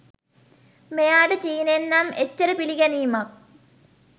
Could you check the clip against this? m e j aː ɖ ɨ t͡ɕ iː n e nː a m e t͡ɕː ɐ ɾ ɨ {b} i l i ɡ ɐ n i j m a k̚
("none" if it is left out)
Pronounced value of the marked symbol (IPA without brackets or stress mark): p